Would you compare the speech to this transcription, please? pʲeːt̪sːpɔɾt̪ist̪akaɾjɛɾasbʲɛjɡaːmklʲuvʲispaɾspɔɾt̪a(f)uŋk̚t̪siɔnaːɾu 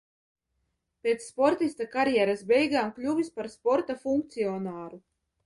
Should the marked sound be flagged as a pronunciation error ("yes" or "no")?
no